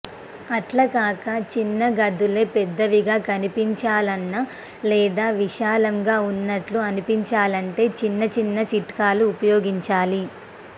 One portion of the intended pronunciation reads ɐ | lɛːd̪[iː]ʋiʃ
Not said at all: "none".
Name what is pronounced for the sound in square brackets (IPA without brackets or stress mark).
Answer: aː